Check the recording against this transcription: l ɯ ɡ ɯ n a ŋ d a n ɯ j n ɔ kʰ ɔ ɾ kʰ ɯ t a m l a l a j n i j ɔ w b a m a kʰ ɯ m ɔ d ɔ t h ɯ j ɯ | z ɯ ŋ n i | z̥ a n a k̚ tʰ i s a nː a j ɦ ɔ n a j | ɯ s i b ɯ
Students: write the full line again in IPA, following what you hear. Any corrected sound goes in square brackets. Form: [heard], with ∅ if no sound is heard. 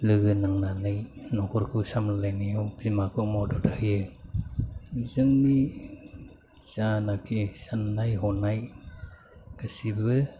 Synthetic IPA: l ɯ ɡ ɯ n a ŋ [n] a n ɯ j n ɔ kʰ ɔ ɾ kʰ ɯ [s] a m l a l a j n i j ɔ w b [i] m a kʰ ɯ m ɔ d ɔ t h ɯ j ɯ | z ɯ ŋ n i | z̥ a n a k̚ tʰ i s a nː a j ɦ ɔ n a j | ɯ s i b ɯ